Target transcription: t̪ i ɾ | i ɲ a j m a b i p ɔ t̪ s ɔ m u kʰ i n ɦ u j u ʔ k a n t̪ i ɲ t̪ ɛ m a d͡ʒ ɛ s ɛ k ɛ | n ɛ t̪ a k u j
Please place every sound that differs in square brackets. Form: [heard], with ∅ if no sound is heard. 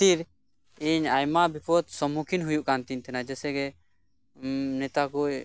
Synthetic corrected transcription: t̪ i ɾ | i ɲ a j m a b i p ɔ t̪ s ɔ m u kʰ i n ɦ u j u ʔ k a n t̪ i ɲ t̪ ɛ [n] a d͡ʒ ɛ s ɛ [ɡ] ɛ | n ɛ t̪ a k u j